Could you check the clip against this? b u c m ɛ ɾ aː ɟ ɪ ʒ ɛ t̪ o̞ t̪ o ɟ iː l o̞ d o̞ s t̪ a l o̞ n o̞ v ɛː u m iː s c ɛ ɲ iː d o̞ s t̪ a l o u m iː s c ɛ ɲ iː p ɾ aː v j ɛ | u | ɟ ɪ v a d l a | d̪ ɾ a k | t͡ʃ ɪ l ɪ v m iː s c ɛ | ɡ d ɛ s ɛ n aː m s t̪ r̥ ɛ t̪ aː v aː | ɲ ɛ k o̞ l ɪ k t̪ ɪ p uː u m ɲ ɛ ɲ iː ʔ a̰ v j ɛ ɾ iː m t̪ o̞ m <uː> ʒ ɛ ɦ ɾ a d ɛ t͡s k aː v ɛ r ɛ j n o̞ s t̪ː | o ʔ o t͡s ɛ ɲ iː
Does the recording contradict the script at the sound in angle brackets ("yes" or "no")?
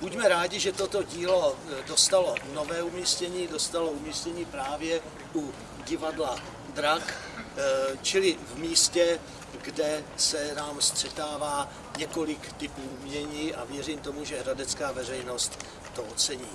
yes